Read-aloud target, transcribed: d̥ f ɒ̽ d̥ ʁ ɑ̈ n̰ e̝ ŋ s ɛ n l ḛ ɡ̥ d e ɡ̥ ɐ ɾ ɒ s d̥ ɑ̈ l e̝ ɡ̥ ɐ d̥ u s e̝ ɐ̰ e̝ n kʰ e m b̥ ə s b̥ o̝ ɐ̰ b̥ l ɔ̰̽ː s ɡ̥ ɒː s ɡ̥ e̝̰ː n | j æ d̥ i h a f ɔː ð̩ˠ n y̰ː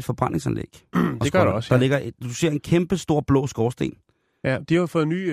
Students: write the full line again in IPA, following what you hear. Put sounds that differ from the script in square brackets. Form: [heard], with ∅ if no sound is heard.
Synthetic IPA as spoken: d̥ f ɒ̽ [b̥] ʁ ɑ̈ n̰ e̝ ŋ s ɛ n l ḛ ɡ̥ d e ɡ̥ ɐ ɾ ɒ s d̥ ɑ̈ l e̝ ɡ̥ ɐ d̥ u s e̝ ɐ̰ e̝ n kʰ e m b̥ ə s [d̥] o̝ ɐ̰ b̥ l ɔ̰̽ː s ɡ̥ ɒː s [d̥] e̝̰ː n | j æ d̥ i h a f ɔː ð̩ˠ n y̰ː